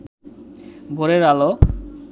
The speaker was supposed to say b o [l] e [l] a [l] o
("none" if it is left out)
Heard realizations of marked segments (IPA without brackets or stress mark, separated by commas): ɾ, ɾ, l